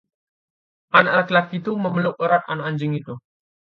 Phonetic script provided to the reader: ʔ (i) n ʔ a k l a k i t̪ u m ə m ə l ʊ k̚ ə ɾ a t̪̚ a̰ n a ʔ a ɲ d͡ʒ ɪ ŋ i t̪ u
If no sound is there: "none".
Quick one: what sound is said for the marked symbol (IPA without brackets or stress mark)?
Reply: a